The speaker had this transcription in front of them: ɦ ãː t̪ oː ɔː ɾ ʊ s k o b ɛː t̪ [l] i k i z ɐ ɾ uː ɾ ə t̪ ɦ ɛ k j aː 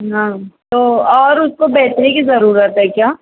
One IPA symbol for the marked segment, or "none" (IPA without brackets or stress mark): ɾ